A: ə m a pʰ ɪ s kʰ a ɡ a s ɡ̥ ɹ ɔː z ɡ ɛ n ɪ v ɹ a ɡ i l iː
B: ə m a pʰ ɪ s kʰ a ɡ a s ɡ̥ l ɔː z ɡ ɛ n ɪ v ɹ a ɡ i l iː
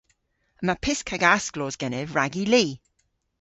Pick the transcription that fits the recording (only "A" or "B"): B